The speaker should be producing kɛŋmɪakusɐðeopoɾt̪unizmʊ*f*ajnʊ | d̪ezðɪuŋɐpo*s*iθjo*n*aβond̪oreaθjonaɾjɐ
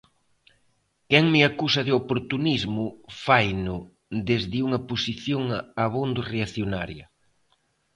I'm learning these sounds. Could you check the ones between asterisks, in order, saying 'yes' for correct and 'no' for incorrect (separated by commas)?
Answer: yes, yes, no